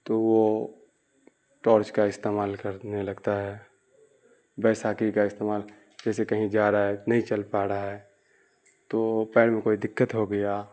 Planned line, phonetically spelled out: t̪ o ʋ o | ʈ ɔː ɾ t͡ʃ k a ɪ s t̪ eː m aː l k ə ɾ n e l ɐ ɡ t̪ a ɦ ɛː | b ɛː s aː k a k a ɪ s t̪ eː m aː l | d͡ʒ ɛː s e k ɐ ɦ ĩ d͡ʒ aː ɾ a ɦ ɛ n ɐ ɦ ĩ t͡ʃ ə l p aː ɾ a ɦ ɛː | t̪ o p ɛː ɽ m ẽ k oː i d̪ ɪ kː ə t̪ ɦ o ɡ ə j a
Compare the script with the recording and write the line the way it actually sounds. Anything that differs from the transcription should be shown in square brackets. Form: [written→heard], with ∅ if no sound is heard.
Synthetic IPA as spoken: t̪ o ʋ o | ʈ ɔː ɾ t͡ʃ k a ɪ s t̪ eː m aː l k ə ɾ n e l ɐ ɡ t̪ a ɦ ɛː | b ɛː s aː k [a→i] k a ɪ s t̪ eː m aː l | d͡ʒ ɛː s e k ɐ ɦ ĩ d͡ʒ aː ɾ a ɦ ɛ n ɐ ɦ ĩ t͡ʃ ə l p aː ɾ a ɦ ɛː | t̪ o p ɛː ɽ m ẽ k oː i d̪ ɪ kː ə t̪ ɦ o ɡ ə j a

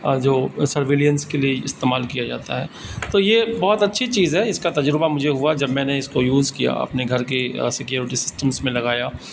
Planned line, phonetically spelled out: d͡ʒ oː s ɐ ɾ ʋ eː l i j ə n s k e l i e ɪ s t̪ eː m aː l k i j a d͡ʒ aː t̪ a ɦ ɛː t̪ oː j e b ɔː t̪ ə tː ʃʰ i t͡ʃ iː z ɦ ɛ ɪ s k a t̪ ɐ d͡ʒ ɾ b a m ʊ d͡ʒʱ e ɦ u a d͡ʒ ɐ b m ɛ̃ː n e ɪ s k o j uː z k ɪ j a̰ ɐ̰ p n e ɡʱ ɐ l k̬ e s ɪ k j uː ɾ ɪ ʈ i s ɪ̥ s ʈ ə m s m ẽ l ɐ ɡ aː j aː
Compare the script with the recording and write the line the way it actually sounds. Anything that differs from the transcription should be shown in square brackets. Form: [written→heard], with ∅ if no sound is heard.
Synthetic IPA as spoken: d͡ʒ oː s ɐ ɾ ʋ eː l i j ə n s k e l i e ɪ s t̪ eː m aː l k i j a d͡ʒ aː t̪ a ɦ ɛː t̪ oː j e b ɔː t̪ [ə→ɐ] tː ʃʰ i t͡ʃ iː z ɦ ɛ ɪ s k a t̪ ɐ d͡ʒ ɾ b a m ʊ d͡ʒʱ e ɦ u a d͡ʒ ɐ b m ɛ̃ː n e ɪ s k o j uː z k [ɪ→i] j a̰ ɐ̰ p n e ɡʱ ɐ [l→ɾ] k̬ e s ɪ k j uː ɾ ɪ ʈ i s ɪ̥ s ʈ ə m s m ẽ l ɐ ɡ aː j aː

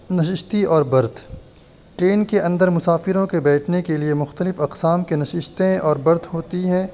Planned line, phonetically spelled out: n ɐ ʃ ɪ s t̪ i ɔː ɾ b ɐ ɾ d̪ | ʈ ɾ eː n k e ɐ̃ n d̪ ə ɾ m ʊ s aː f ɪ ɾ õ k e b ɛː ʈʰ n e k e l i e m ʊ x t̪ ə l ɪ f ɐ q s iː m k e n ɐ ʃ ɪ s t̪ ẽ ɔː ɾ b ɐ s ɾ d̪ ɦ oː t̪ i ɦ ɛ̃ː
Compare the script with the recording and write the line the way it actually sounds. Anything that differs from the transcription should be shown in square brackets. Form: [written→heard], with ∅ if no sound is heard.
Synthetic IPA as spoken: n ɐ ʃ ɪ [s→ʃ] t̪ i ɔː ɾ b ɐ ɾ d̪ | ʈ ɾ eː n k e ɐ̃ n d̪ ə ɾ m ʊ s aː f ɪ ɾ õ k e b ɛː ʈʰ n e k e l i e m ʊ x t̪ ə l ɪ f ɐ q s [iː→aː] m k e n ɐ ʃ ɪ [s→ʃ] t̪ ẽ ɔː ɾ b ɐ [s→∅] ɾ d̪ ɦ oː t̪ i ɦ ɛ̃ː

